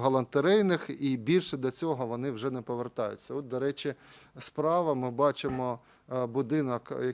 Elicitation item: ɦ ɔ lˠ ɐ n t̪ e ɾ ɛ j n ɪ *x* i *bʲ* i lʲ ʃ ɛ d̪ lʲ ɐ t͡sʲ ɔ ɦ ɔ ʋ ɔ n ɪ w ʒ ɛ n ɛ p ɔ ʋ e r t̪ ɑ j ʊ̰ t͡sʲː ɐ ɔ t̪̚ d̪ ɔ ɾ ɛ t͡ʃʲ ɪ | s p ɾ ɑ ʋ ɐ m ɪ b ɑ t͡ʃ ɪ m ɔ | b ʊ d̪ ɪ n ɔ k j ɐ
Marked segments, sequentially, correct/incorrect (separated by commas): correct, correct